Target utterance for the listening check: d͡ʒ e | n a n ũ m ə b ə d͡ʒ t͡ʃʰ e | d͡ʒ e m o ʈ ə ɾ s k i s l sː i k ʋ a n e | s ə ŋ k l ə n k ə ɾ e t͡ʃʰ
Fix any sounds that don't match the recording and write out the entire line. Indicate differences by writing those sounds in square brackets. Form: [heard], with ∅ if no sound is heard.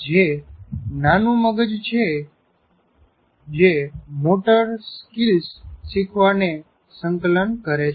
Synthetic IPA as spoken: d͡ʒ e | n a n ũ m ə [ɡ] ə d͡ʒ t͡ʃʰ e | d͡ʒ e m o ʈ ə ɾ s k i [∅] l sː i [kʰ] ʋ a n e | s ə ŋ k l ə n k ə ɾ e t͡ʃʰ